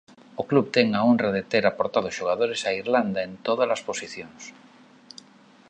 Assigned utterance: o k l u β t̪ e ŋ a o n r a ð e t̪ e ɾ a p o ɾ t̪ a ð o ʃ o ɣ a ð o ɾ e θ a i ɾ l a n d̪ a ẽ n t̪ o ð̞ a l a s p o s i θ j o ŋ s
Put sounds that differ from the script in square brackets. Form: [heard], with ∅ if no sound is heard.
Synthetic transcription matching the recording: o k l u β t̪ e ŋ a o n r a ð e t̪ e ɾ a p o ɾ t̪ a ð o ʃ o ɣ a ð o ɾ e [s] a i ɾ l a n d̪ a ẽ n t̪ o ð̞ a l a s p o s i θ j o ŋ s